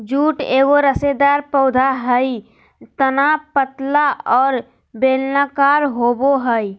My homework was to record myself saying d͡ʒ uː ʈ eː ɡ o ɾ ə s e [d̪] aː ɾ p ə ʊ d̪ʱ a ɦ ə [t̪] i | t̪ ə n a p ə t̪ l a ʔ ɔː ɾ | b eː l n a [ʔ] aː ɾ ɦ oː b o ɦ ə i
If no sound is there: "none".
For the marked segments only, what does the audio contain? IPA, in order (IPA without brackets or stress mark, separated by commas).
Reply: d̪, none, k